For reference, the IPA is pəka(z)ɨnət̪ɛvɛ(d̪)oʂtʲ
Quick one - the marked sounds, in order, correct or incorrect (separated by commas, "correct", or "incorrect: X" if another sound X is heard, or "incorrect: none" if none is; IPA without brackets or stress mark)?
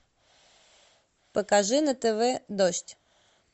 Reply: incorrect: ʐ, correct